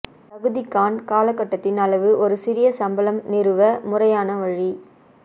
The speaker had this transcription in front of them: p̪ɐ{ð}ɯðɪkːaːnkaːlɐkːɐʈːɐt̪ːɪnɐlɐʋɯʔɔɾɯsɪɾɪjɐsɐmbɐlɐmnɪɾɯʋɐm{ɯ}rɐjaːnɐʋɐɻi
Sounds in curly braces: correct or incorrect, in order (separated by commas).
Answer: incorrect, incorrect